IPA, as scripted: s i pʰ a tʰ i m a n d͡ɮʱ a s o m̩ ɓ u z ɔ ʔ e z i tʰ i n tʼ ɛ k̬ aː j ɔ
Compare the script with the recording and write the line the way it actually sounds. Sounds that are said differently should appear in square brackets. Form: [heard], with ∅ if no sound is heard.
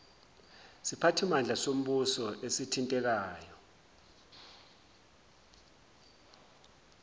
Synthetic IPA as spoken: s i pʰ a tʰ i m a n d͡ɮʱ a s o m̩ ɓ u [s] ɔ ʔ e [s] i tʰ i n tʼ ɛ k̬ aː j ɔ